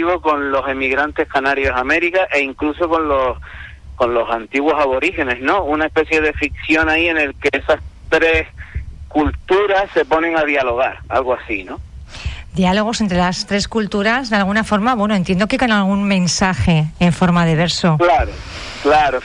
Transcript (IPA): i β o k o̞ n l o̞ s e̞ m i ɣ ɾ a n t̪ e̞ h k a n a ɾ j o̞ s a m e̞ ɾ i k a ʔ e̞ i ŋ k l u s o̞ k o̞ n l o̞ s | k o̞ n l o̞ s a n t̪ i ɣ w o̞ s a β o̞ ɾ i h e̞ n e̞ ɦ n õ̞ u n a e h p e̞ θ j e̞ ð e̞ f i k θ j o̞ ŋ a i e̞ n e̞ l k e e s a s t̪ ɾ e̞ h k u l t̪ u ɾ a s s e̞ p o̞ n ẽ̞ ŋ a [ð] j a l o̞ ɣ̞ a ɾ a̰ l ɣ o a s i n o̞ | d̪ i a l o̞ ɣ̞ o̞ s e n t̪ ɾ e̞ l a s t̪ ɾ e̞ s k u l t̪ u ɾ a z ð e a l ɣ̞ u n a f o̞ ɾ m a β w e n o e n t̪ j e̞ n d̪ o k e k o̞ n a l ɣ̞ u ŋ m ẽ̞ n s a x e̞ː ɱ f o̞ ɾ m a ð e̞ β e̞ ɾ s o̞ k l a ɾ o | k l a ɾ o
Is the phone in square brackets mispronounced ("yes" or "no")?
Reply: no